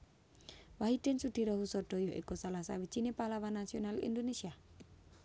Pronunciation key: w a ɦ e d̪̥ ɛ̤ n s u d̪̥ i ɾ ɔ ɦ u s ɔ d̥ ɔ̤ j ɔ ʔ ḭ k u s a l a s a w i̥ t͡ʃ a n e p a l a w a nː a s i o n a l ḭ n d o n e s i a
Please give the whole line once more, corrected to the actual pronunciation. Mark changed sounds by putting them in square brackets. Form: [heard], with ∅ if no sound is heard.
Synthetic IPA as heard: w a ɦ [i] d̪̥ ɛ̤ n s u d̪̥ i ɾ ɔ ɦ u s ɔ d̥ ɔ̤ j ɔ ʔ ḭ k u s a l a s a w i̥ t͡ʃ [i] n e p a l a w a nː a s i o n a l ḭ n d o n e s i a